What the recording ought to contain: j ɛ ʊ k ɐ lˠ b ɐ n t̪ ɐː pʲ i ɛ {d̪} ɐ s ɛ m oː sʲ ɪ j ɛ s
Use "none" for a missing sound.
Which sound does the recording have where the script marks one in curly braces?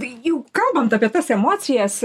t̪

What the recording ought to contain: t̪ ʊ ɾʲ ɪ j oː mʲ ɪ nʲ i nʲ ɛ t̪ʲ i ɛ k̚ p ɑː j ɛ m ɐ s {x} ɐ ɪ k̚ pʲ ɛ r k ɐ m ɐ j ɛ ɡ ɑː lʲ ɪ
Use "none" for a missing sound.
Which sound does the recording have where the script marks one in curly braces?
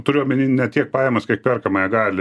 k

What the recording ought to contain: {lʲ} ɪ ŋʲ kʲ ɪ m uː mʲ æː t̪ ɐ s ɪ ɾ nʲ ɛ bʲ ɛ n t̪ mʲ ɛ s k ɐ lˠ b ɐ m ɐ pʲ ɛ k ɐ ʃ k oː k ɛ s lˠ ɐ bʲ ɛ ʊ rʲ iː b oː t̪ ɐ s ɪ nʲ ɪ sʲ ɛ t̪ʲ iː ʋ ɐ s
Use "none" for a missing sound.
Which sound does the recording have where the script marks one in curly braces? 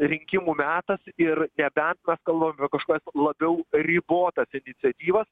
ɾʲ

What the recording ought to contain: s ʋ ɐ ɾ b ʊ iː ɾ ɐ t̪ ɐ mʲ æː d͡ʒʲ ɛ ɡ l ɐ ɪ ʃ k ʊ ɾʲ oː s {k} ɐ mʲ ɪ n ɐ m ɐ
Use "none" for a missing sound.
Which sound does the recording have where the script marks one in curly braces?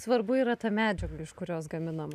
ɡ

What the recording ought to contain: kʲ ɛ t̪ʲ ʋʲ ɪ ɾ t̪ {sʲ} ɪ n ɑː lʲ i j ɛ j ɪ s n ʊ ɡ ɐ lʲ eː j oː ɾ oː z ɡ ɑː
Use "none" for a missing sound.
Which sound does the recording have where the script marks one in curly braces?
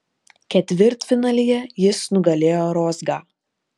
fʲ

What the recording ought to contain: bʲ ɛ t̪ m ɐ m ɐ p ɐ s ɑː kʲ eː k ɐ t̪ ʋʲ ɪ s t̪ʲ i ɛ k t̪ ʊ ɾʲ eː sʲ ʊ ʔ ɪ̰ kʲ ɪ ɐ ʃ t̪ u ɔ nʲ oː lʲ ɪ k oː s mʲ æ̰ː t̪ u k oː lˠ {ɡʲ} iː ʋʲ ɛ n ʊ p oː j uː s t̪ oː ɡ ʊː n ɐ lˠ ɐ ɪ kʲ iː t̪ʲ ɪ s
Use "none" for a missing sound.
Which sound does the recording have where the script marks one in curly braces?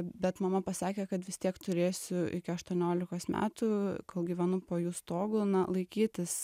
ɡʲ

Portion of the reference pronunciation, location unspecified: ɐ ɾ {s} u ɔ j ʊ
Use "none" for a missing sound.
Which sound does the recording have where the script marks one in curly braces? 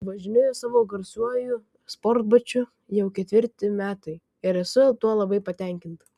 s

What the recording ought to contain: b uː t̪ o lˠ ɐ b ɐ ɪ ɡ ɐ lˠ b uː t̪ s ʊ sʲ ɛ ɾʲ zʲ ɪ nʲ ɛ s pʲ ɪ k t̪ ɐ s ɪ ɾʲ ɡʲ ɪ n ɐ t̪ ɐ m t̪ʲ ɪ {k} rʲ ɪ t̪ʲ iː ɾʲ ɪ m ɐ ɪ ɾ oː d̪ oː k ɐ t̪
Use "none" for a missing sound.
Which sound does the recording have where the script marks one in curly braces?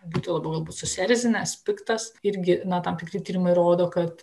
k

